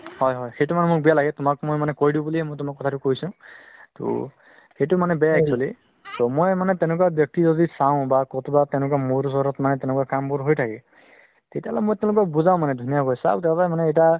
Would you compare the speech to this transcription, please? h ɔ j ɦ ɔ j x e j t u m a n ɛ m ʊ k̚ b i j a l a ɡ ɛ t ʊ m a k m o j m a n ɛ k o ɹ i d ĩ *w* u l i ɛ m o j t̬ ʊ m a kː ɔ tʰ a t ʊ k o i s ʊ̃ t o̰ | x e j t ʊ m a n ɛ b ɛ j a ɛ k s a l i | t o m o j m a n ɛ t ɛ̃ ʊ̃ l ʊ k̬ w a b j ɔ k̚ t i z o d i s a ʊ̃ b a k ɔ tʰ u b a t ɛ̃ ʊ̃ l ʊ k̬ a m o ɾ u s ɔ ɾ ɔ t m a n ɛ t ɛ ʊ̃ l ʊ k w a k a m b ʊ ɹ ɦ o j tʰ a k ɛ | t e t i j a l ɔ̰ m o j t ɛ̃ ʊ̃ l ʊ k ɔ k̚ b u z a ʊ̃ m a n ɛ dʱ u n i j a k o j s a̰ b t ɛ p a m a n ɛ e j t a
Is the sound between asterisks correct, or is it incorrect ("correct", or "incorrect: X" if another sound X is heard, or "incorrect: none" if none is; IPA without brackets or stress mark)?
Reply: incorrect: b